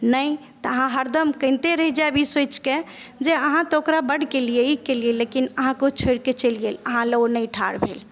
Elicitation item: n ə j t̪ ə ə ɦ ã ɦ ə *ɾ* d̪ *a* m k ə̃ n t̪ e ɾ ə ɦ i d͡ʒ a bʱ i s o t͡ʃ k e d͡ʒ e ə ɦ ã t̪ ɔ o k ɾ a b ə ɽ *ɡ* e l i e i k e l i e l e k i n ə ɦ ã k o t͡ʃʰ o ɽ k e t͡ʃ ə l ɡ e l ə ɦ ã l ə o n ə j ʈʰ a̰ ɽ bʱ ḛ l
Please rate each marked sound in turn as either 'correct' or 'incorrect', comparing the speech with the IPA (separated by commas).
correct, incorrect, incorrect